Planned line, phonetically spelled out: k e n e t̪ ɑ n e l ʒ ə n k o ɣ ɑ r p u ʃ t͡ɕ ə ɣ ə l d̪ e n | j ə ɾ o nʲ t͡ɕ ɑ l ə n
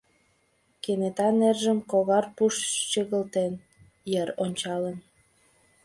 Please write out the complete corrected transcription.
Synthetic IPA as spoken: k e n e t̪ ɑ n e r ʒ ə m k o ɣ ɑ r p u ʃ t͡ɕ ə ɣ ə l t̪ e n | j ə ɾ o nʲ t͡ɕ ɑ l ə n